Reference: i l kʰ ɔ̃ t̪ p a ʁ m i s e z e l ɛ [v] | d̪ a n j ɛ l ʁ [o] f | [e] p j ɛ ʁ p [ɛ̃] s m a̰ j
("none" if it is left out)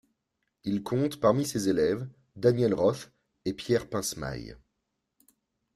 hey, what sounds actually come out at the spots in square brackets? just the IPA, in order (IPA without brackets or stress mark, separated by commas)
v, ɔ, e, ɛ̃